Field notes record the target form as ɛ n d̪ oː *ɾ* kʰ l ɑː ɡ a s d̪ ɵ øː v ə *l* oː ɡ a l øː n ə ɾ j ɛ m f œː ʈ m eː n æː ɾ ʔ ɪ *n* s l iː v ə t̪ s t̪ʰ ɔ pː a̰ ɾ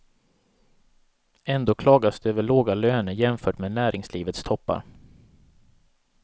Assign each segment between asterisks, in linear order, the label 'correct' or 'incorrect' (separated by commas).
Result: incorrect, incorrect, incorrect